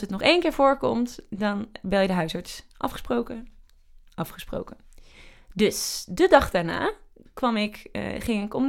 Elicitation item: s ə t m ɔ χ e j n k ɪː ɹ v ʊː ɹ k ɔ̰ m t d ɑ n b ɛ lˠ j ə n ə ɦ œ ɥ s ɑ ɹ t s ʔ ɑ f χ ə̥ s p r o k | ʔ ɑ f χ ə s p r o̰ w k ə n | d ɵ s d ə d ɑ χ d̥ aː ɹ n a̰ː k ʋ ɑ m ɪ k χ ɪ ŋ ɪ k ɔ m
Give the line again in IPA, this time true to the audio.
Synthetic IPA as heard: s ə t n ɔ χ e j n k ɪː ɹ v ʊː ɹ k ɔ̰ m t d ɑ n b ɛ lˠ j ə d ə ɦ œ ɥ s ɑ ɹ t s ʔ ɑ f χ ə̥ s p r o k | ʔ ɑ f χ ə s p r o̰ w k ə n | d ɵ s d ə d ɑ χ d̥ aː ɹ n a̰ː k ʋ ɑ m ɪ k χ ɪ ŋ ɪ k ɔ m